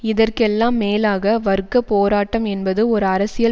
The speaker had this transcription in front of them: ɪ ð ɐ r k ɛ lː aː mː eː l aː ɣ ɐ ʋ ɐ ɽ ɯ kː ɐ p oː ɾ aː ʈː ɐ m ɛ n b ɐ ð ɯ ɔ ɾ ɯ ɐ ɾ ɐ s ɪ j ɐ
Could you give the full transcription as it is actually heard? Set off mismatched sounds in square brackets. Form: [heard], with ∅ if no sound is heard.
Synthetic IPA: ɪ ð ɐ r k ɛ lː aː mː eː l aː ɣ ɐ ʋ ɐ [ɾ] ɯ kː ɐ p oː ɾ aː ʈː ɐ m ɛ n b ɐ ð ɯ ɔ ɾ ɯ ɐ ɾ ɐ s ɪ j ɐ